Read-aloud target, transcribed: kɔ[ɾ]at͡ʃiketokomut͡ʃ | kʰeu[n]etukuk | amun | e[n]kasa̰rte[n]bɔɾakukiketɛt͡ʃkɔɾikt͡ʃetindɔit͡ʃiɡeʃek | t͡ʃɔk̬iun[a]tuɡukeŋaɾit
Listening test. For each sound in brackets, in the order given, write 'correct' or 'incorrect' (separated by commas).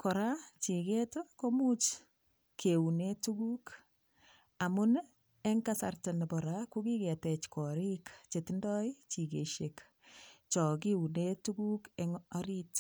correct, correct, incorrect, correct, incorrect